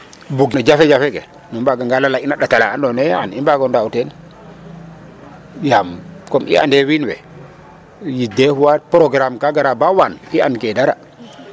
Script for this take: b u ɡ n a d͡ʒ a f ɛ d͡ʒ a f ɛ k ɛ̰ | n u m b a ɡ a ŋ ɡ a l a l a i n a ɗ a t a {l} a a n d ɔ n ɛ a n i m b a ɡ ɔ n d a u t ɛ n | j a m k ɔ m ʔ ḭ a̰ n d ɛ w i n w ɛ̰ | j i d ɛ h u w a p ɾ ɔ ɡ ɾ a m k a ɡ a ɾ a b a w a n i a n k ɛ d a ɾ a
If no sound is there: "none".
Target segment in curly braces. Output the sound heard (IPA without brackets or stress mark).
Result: l